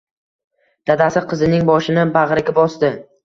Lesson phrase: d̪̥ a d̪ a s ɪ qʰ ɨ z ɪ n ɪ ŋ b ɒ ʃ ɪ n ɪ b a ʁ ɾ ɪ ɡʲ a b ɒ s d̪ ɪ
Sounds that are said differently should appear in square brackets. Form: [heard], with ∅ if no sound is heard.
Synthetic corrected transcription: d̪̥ a d̪ a s ɪ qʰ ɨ z ɪ n ɪ ŋ b ɒ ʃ ɪ n ɪ b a ʁ ɾ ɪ ɡʲ a b ɒ s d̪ ɪ